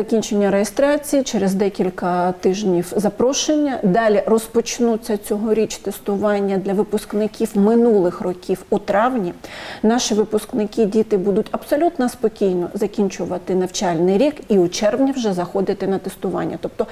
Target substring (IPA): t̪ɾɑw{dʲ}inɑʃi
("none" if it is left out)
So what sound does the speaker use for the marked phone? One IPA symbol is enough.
nʲ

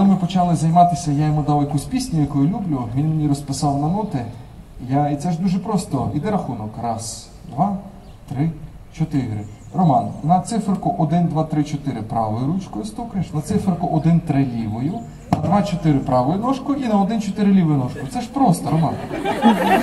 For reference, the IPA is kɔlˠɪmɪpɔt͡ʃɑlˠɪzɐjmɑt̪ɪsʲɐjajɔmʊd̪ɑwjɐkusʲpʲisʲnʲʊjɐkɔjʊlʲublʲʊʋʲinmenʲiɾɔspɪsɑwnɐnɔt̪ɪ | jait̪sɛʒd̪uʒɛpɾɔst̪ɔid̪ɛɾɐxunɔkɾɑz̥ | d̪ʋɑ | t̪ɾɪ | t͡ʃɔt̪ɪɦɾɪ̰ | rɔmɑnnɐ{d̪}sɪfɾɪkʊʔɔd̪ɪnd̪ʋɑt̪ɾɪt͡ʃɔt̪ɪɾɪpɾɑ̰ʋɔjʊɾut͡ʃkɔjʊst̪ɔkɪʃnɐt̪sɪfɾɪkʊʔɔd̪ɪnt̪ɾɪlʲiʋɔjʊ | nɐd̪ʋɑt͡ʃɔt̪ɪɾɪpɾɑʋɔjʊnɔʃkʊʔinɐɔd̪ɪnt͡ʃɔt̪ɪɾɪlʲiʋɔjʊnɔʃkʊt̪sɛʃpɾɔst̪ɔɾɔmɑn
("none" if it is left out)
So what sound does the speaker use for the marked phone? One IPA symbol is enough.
t̪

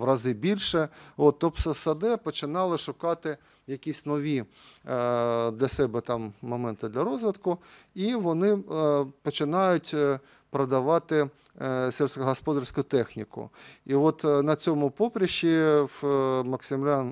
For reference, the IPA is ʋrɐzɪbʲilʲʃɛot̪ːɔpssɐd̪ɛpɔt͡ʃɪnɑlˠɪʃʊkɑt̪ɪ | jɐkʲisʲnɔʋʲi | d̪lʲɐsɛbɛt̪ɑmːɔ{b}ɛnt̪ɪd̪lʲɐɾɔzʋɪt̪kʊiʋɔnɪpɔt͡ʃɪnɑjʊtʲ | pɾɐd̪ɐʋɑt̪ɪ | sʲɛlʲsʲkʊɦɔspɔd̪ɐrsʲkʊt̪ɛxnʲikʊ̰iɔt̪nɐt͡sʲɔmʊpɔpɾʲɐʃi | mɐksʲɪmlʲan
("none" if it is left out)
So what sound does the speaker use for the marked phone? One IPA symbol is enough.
m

